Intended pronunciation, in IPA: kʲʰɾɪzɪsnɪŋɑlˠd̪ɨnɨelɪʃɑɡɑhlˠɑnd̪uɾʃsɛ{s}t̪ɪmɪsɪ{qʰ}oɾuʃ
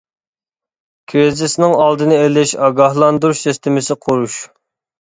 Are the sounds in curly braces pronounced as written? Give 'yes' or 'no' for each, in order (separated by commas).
yes, yes